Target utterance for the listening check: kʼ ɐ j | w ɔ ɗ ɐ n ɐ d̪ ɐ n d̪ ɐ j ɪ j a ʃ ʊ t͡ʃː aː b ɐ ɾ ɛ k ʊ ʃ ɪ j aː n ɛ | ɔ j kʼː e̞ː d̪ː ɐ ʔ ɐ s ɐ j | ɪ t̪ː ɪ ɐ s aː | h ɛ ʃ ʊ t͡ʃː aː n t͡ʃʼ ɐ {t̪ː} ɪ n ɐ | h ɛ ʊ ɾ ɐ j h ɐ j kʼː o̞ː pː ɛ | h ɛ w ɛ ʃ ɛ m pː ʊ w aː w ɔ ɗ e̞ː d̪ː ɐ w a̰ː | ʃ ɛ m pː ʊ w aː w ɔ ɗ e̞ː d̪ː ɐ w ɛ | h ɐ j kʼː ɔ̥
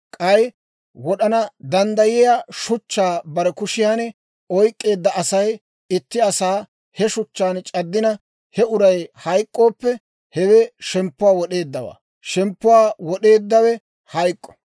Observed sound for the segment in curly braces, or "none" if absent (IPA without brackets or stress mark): d̪ː